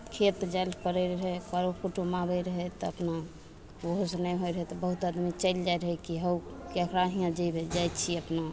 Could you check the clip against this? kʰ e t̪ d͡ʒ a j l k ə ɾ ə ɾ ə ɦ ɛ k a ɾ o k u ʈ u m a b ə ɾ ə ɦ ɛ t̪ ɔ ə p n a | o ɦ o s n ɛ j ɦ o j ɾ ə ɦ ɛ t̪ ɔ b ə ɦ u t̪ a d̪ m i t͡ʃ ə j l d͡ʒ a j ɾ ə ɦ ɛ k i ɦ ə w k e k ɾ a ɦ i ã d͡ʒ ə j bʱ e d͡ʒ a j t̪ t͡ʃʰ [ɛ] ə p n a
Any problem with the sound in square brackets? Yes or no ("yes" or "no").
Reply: yes